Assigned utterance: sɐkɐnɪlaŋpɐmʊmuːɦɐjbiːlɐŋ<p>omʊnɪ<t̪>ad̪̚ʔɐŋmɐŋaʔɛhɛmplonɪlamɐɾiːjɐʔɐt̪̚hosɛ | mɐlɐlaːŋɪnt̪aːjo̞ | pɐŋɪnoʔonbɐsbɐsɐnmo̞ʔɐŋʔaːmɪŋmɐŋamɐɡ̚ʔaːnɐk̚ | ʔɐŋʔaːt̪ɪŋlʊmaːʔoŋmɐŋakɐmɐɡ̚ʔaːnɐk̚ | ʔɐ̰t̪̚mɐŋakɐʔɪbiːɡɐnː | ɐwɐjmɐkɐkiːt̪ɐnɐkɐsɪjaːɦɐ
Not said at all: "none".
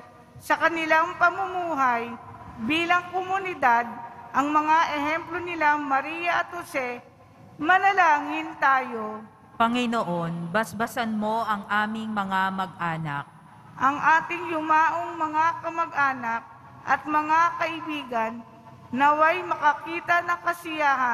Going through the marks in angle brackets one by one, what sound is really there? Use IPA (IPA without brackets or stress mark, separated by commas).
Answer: k, d̪